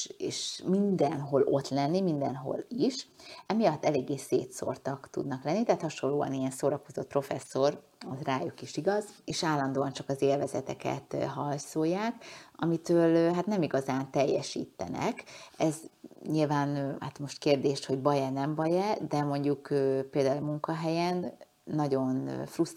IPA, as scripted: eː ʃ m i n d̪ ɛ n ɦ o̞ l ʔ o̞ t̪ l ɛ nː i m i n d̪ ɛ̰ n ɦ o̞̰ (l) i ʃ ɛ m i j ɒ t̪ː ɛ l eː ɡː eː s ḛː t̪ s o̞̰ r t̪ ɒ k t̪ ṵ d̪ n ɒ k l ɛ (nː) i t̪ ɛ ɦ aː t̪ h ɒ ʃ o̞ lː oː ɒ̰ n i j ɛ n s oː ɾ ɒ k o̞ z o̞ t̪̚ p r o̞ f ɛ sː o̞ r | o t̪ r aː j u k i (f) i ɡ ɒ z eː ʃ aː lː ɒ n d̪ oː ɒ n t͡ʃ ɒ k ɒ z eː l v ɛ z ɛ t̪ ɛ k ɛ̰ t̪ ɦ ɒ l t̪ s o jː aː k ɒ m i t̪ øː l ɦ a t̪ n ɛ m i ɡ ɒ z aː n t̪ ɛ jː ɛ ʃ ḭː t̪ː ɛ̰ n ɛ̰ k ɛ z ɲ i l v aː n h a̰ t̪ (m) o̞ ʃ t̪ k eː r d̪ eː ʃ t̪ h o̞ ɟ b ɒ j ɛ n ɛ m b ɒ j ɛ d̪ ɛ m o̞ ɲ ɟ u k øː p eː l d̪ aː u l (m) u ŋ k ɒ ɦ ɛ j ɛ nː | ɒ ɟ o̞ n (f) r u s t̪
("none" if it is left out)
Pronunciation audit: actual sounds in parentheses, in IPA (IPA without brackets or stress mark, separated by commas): l, nː, ʃ, m, m, f